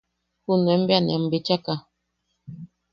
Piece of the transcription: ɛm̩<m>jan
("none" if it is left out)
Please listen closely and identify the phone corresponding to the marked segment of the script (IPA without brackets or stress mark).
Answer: b